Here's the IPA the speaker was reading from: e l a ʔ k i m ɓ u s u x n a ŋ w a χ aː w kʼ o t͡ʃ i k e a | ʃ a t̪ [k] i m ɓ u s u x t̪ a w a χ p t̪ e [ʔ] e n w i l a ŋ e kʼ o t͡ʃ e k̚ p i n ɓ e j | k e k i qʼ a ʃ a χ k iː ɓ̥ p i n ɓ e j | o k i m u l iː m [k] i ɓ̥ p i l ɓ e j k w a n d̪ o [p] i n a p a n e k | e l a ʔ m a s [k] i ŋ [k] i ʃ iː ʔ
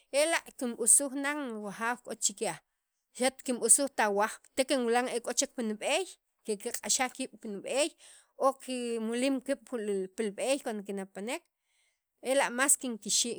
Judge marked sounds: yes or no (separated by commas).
yes, no, yes, no, yes, yes